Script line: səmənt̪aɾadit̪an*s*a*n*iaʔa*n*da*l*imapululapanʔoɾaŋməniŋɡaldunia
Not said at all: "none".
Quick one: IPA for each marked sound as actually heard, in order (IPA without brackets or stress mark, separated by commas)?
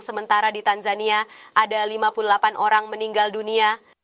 z, n, none, l